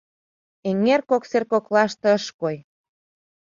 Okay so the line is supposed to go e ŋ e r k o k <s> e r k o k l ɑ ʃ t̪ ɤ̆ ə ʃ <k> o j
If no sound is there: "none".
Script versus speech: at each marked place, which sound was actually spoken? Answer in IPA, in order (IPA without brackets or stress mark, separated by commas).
s, k